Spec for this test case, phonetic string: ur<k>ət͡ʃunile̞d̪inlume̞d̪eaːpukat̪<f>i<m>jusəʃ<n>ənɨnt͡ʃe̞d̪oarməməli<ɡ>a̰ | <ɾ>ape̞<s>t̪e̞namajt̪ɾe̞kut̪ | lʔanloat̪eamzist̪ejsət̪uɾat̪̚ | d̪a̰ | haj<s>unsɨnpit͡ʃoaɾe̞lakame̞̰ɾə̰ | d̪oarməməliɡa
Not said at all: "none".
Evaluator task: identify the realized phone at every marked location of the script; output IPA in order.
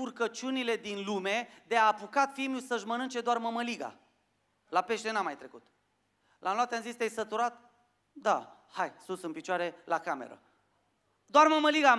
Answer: k, f, m, m, ɡ, l, ʃ, s

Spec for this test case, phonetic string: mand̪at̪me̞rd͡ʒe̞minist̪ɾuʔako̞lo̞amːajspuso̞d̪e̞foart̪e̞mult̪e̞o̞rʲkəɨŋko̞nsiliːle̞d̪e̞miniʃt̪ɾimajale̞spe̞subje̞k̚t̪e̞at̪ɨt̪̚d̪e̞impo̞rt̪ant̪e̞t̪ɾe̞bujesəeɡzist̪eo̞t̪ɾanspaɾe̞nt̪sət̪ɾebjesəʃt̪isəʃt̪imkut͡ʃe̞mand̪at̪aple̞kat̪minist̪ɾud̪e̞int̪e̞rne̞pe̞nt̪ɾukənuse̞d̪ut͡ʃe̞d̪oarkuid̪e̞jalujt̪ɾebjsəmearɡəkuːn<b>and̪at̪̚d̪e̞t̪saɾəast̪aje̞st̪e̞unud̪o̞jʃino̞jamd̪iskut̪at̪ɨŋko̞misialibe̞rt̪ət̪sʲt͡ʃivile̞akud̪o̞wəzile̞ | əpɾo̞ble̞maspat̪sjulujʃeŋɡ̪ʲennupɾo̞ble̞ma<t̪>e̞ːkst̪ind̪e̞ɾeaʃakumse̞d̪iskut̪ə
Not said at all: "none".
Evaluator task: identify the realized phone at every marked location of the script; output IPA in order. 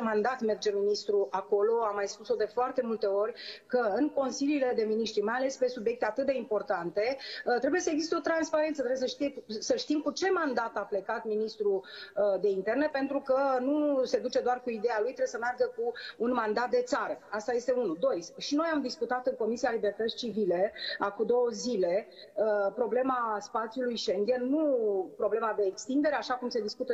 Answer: m, d̪

